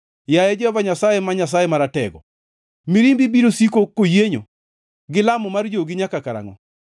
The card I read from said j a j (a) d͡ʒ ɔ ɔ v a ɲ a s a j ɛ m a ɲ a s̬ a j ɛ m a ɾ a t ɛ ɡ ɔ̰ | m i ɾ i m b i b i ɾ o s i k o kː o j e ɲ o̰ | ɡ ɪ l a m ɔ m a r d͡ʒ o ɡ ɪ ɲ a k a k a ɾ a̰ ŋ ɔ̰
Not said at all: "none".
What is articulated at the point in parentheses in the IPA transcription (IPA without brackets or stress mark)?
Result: ɛ